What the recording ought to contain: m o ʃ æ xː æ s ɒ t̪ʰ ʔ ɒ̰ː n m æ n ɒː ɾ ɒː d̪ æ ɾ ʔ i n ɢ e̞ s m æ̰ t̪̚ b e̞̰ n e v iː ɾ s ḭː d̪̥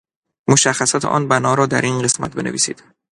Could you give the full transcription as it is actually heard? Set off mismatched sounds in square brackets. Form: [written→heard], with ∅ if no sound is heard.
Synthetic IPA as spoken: m o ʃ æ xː æ s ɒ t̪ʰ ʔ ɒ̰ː n [m→b] æ n ɒː ɾ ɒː d̪ æ ɾ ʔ i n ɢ e̞ s m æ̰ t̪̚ b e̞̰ n e v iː [ɾ→∅] s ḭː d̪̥